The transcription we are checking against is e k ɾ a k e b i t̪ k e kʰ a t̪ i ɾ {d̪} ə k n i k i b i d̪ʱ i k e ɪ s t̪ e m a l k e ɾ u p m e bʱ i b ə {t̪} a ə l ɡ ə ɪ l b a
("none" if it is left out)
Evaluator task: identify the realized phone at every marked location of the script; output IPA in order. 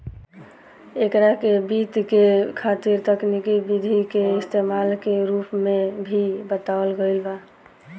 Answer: t̪, t̪

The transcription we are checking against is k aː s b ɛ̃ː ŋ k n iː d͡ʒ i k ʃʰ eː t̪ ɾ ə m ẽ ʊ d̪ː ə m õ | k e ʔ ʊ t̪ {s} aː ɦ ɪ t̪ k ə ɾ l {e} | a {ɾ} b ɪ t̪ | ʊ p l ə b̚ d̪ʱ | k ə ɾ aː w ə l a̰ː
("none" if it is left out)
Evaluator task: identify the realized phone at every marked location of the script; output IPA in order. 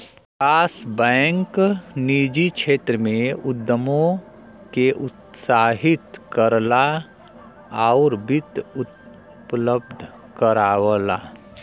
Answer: s, a, ɾ

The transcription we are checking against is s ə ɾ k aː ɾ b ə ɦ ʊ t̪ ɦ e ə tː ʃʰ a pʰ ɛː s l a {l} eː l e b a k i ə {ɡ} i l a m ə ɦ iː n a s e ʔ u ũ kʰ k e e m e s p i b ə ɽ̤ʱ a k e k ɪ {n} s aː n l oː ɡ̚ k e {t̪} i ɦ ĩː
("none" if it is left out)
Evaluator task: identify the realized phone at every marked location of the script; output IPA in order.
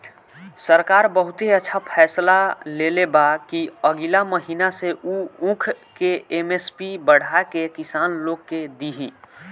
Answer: l, ɡ, none, d̪

